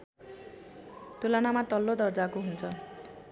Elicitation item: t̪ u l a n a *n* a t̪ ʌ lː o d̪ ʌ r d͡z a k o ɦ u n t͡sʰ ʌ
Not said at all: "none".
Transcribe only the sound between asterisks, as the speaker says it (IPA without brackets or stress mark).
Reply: m